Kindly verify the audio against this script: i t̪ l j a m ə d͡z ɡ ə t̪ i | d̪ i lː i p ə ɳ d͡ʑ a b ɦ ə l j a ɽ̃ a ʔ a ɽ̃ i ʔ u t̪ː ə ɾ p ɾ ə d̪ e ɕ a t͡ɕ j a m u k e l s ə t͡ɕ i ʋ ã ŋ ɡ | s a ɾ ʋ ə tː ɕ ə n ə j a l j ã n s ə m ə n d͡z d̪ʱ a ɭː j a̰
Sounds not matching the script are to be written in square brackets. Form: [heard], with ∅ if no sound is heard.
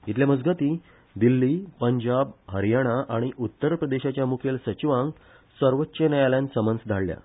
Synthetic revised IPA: i t̪ l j a m ə d͡z ɡ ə t̪ i | d̪ i lː i p ə [ɲ] d͡ʑ a b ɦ ə [ɾ] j a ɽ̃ a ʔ a ɽ̃ i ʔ u t̪ː ə ɾ p ɾ ə d̪ e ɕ a t͡ɕ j a m u [kʰ] e l s ə t͡ɕ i ʋ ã ŋ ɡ | s [ə] ɾ ʋ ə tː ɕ ə n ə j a l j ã n s ə m ə n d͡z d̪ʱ a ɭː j a̰